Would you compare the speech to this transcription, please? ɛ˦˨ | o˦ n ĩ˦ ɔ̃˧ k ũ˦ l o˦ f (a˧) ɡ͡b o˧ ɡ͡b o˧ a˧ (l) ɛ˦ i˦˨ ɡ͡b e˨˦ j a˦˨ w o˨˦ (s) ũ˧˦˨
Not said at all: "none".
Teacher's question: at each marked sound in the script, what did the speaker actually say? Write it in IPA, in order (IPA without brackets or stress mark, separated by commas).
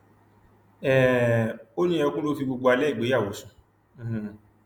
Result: i˧, l, s